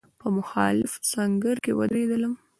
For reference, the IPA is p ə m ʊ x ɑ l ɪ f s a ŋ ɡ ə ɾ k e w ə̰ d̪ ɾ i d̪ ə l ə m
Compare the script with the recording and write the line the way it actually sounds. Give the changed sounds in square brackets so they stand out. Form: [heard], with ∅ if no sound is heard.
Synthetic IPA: p ə m ʊ x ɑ l ɪ f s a ŋ ɡ ə ɾ k e w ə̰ d̪ ɾ [e] d̪ ə l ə m